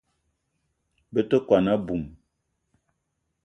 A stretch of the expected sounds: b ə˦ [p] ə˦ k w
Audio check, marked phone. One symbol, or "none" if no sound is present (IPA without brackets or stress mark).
t